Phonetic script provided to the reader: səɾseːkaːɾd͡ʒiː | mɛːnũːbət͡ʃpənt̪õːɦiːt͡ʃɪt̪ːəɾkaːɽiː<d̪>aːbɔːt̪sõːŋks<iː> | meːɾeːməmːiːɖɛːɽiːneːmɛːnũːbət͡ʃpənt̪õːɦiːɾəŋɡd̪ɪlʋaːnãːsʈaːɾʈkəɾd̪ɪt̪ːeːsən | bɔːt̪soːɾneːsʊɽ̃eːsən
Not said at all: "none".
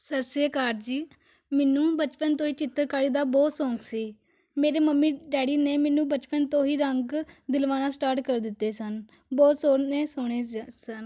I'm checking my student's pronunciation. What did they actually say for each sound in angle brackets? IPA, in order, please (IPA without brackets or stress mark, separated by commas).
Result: d̪, iː